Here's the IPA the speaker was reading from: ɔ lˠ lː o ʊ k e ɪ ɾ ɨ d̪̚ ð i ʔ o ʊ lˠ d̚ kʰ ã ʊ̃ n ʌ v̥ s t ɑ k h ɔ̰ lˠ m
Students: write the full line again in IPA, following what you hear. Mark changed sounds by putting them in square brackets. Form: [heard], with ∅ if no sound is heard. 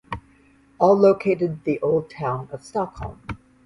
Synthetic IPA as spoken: ɔ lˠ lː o ʊ [kʰ] e ɪ ɾ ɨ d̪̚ ð i ʔ o ʊ lˠ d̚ [tʰ] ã ʊ̃ n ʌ v̥ s t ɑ k h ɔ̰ lˠ m